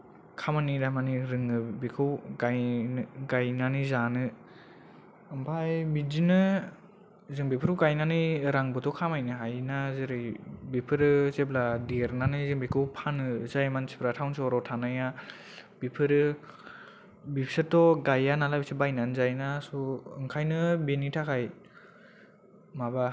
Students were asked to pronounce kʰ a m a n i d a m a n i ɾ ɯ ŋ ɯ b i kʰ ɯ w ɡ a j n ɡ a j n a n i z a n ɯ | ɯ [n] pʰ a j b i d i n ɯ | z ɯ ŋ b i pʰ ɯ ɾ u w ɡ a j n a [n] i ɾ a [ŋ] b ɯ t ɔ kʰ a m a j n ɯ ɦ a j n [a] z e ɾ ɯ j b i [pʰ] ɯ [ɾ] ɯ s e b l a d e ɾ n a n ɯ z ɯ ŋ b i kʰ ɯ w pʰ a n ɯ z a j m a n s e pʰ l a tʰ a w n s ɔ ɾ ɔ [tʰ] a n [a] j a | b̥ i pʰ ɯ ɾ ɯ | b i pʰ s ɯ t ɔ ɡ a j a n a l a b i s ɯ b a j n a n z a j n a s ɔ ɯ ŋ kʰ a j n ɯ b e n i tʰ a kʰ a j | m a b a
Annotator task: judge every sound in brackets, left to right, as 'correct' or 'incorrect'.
incorrect, correct, correct, correct, correct, correct, correct, correct

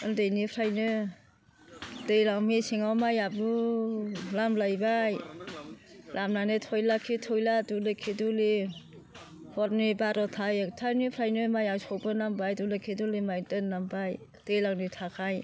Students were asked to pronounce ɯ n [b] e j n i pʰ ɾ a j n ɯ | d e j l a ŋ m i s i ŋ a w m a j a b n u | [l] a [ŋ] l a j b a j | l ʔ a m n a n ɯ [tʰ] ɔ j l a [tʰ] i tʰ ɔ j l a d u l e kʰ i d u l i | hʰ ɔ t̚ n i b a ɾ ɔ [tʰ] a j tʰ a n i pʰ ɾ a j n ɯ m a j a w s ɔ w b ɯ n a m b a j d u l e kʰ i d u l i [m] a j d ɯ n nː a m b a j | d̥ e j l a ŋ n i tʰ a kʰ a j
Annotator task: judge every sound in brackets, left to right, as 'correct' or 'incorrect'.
incorrect, correct, incorrect, correct, incorrect, correct, correct

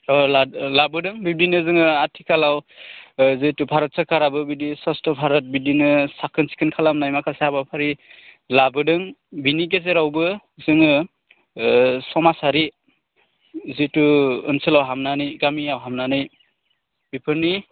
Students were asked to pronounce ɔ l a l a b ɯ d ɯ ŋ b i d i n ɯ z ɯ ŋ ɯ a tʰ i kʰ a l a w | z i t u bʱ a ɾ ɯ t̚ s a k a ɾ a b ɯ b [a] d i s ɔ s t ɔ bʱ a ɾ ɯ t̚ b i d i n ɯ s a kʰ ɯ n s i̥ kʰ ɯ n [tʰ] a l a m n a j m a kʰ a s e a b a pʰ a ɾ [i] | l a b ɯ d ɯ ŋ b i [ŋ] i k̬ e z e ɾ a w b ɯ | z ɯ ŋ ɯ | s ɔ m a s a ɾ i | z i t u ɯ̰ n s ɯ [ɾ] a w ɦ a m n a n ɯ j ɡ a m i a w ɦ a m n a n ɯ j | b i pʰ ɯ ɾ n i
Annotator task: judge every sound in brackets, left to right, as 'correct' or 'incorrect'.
incorrect, incorrect, correct, incorrect, incorrect

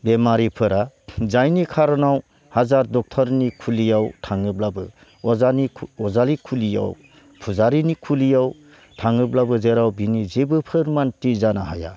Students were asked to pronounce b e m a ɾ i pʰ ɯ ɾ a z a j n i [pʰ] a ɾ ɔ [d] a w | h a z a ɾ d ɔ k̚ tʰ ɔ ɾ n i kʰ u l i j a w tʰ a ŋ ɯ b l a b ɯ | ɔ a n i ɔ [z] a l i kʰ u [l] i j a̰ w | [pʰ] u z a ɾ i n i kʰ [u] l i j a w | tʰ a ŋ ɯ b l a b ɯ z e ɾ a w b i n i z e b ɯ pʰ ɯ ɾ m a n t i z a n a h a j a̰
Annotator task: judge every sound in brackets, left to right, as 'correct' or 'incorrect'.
incorrect, incorrect, correct, correct, correct, correct

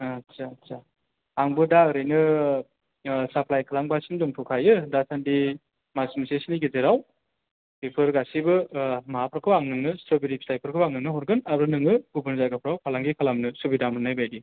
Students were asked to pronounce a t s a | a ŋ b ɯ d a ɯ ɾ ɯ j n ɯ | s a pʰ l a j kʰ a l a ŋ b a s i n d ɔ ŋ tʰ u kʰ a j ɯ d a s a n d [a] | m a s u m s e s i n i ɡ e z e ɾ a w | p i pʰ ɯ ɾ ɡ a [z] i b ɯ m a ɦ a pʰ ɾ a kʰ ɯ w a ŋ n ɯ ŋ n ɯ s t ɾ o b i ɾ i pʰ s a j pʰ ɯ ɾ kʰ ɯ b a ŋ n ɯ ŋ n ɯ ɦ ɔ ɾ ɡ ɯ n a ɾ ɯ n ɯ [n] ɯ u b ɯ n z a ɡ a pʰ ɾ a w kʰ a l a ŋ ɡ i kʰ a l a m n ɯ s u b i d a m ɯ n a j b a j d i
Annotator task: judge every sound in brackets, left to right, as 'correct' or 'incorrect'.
incorrect, incorrect, incorrect

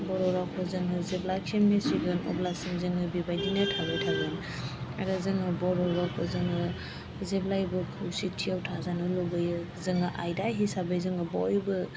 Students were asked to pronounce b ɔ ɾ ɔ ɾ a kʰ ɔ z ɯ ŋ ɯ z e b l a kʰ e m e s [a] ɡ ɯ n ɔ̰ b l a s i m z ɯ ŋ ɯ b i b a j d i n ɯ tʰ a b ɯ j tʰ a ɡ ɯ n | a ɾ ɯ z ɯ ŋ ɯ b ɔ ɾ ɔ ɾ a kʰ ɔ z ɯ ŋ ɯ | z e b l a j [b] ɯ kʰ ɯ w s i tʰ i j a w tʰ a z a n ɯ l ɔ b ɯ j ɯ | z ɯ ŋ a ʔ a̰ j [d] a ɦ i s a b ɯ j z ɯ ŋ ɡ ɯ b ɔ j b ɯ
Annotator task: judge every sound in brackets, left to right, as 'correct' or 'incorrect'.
incorrect, correct, correct

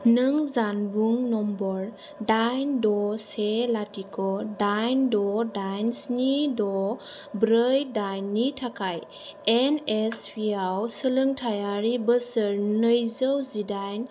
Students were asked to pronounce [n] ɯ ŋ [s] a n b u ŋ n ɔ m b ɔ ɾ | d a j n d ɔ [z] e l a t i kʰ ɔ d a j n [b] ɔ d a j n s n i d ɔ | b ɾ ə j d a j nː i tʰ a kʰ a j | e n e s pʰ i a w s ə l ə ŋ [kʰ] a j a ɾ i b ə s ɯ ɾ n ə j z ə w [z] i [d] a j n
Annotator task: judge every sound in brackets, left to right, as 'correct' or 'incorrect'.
correct, incorrect, incorrect, incorrect, incorrect, correct, correct

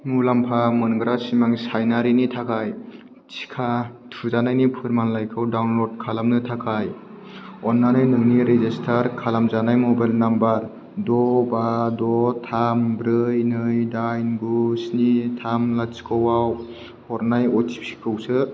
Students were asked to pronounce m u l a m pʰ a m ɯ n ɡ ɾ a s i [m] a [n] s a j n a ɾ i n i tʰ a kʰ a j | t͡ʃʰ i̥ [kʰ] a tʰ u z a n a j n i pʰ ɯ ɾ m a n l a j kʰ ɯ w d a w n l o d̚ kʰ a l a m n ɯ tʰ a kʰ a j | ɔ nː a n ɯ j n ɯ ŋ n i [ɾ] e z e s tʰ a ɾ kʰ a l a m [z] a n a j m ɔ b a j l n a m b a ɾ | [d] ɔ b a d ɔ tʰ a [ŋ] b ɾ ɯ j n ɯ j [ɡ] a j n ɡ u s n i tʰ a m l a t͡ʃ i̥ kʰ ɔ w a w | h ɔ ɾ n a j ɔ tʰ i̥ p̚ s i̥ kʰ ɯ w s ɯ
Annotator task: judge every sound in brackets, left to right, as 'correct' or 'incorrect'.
correct, incorrect, correct, correct, correct, correct, incorrect, incorrect

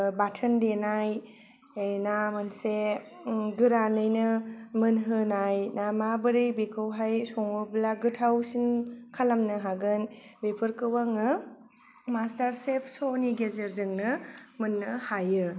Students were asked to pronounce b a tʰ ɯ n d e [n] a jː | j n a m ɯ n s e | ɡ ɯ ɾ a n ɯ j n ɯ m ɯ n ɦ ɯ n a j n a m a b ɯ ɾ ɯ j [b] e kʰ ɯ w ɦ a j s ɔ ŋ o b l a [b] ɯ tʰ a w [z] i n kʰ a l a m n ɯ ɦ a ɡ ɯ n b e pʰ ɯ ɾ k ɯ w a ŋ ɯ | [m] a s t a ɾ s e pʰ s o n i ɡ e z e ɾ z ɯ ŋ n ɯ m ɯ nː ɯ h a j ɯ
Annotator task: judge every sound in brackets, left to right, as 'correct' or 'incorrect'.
correct, correct, incorrect, incorrect, correct

